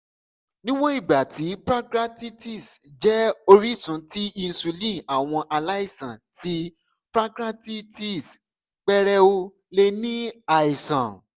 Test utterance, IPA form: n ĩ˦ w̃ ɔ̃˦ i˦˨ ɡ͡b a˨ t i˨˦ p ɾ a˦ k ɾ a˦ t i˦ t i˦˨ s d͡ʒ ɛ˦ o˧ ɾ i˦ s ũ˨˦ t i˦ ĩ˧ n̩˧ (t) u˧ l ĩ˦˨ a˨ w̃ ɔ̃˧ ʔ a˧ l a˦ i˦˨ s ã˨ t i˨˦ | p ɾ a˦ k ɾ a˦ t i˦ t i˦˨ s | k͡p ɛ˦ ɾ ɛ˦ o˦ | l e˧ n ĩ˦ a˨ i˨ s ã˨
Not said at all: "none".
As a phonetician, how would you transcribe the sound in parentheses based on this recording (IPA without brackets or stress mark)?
s